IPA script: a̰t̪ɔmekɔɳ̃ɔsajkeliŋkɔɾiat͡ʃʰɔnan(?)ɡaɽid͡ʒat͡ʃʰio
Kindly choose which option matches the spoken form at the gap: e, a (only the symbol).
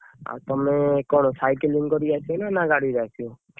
a